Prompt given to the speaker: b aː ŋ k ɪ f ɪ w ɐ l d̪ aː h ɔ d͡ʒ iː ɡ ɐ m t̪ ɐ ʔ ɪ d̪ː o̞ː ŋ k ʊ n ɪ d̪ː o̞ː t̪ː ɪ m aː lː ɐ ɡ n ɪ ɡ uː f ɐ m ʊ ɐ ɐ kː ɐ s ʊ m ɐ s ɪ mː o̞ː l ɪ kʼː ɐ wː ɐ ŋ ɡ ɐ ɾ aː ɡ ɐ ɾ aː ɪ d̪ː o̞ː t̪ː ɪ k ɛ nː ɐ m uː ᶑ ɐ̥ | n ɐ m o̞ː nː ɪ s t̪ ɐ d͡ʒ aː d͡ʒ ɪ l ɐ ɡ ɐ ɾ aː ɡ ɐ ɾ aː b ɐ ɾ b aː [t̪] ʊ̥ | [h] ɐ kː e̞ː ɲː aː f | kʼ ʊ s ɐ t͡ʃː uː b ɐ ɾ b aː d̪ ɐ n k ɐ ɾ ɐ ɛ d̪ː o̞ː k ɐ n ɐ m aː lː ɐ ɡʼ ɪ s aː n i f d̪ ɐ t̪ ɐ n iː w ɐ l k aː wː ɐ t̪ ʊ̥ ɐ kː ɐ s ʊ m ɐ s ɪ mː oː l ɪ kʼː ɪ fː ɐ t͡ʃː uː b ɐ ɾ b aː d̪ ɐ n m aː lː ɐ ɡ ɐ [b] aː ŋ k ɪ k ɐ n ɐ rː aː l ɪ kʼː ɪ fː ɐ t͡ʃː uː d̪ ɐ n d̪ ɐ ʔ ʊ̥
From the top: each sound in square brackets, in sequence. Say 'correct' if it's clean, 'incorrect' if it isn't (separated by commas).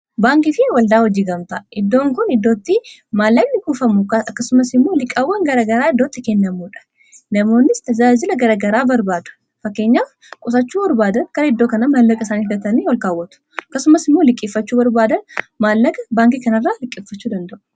incorrect, incorrect, correct